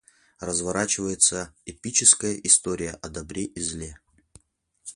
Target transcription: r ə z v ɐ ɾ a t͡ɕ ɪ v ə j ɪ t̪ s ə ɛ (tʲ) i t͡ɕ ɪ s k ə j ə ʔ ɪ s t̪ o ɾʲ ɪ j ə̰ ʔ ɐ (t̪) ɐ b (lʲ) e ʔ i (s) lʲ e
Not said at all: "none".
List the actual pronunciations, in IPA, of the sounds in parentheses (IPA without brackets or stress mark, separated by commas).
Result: pʲ, d̪, ɾʲ, z